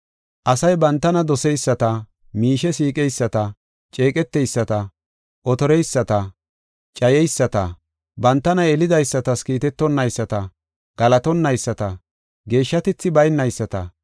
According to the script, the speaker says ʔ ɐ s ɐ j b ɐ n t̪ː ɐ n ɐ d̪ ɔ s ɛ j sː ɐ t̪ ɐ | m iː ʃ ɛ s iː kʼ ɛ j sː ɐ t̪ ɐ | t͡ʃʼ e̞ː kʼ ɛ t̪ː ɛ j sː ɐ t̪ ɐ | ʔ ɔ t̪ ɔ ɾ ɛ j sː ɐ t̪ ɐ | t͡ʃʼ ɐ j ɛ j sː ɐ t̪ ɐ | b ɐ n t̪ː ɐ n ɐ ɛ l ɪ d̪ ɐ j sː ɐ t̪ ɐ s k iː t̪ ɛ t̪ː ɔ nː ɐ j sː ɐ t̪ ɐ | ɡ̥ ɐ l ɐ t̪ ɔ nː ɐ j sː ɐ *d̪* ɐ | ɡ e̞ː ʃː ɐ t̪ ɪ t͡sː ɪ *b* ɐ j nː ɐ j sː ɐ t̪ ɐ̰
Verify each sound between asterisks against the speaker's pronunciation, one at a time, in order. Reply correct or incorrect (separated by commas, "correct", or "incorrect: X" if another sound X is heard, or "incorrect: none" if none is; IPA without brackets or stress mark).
incorrect: t̪, correct